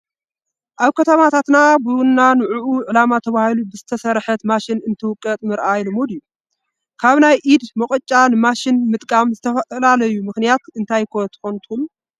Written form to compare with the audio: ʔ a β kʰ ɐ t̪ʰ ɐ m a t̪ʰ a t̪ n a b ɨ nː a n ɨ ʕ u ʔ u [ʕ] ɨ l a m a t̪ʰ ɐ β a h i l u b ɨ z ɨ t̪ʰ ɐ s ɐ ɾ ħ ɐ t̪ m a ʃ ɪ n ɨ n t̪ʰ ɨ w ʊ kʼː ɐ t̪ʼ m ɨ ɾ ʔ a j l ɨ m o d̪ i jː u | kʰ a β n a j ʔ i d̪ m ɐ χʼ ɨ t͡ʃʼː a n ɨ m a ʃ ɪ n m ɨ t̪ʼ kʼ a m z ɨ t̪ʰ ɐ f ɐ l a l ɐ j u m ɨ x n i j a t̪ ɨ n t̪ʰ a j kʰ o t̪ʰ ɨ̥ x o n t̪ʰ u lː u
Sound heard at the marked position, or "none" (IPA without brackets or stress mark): ʕ